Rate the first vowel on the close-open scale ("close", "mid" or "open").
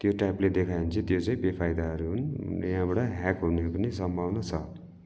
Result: mid